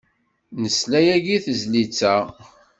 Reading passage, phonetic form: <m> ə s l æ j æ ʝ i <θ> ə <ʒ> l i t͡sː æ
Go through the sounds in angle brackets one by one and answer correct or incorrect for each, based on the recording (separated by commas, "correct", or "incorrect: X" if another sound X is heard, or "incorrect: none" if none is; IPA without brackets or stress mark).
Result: incorrect: n, correct, incorrect: z